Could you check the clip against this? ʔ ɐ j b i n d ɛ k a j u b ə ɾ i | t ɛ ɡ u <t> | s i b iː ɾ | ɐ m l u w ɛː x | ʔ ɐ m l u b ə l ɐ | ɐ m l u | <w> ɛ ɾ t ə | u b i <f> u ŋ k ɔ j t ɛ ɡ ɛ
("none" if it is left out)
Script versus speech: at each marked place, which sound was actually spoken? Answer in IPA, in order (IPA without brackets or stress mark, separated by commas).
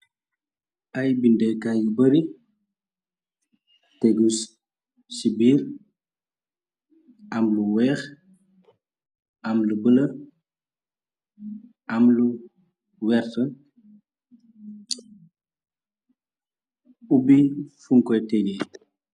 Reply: s, w, f